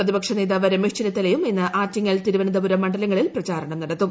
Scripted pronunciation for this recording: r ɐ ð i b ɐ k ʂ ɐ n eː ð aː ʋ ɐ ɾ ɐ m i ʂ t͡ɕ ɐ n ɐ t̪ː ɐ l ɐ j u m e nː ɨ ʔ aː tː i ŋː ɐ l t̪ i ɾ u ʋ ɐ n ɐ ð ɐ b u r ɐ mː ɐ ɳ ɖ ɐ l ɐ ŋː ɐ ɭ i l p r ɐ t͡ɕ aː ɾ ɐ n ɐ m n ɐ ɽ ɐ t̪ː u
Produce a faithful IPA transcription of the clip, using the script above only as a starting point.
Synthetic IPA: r ɐ ð i b ɐ k ʂ ɐ n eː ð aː ʋ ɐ ɾ ɐ m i ʂ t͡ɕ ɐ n ɐ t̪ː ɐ l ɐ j u m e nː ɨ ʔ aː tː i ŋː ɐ l t̪ i ɾ u ʋ ɐ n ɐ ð ɐ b u ɾ ɐ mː ɐ ɳ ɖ ɐ l ɐ ŋː ɐ ɭ i l p r ɐ t͡ɕ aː ɾ ɐ ɳ ɐ m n ɐ ɽ ɐ t̪ː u